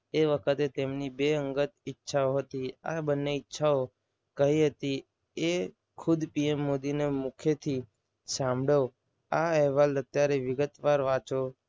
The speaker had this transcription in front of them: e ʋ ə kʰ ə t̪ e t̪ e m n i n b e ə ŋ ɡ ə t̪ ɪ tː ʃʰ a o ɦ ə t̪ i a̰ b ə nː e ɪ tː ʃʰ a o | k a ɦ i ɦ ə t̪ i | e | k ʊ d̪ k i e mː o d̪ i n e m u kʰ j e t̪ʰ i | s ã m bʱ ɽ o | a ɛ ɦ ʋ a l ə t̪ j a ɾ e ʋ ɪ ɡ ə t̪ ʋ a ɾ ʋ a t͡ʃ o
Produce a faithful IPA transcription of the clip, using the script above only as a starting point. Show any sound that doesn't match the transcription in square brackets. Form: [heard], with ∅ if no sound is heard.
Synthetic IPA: e ʋ ə kʰ ə t̪ e t̪ e m n i [∅] b e ə ŋ ɡ ə t̪ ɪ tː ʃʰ a o ɦ ə t̪ i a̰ b ə nː e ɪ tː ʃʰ a o | k [ə] ɦ i ɦ ə t̪ i | e | [kʰ] ʊ d̪ [p] i e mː o d̪ i n e m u kʰ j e t̪ʰ i | s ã m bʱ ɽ o | a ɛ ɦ ʋ a l ə t̪ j a ɾ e ʋ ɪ ɡ ə t̪ ʋ a ɾ ʋ a t͡ʃ o